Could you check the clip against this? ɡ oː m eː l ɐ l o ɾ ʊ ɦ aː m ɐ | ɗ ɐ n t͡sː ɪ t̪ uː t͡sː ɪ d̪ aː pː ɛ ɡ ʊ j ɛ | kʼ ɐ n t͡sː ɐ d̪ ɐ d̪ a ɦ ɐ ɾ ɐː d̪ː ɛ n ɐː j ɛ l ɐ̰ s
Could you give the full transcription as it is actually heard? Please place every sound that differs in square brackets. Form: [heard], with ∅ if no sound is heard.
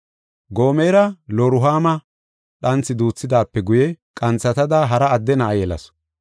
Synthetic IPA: ɡ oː m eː [ɾ] ɐ l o ɾ ʊ ɦ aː m ɐ | ɗ ɐ n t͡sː ɪ [d̪] uː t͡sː ɪ d̪ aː pː ɛ ɡ ʊ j ɛ | kʼ ɐ n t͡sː ɐ [t̪] ɐ d̪ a ɦ ɐ ɾ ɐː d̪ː ɛ n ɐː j ɛ l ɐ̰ s

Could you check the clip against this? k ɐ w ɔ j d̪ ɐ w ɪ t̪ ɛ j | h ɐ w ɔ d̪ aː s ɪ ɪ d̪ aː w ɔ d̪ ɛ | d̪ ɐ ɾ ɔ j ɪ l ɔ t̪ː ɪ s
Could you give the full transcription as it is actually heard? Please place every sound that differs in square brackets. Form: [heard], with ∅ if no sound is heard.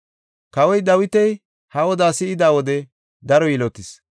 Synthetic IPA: k ɐ w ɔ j d̪ ɐ w ɪ t̪ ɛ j | h ɐ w ɔ d̪ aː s ɪ ɪ d̪ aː w ɔ d̪ ɛ | d̪ ɐ ɾ ɔ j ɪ l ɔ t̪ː ɪ s

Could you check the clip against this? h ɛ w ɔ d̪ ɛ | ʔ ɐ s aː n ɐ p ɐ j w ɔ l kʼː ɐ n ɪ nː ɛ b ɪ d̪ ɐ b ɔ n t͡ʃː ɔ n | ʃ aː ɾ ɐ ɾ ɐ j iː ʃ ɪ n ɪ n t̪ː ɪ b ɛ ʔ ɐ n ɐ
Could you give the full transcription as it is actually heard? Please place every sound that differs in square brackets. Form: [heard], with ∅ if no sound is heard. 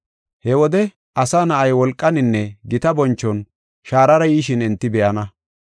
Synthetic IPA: h ɛ w ɔ d̪ ɛ | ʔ ɐ s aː n ɐ [ʔ] ɐ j w ɔ l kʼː ɐ n ɪ nː ɛ [ɡ] ɪ [t̪] ɐ b ɔ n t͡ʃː ɔ n | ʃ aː ɾ ɐ ɾ ɐ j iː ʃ ɪ n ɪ n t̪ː ɪ b ɛ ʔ ɐ n ɐ

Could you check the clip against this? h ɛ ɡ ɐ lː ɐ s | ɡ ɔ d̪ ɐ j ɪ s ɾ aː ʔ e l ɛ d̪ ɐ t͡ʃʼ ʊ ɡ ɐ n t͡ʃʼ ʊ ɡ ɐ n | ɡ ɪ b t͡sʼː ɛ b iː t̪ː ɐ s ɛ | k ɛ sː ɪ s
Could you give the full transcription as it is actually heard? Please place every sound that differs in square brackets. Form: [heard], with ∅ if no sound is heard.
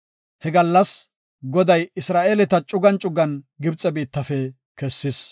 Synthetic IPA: h ɛ ɡ ɐ lː ɐ s | ɡ ɔ d̪ ɐ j ɪ s ɾ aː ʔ e l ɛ [t̪] ɐ t͡ʃʼ ʊ ɡ ɐ n t͡ʃʼ ʊ ɡ ɐ n | ɡ ɪ b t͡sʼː ɛ b iː t̪ː ɐ [f] ɛ | k ɛ sː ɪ s

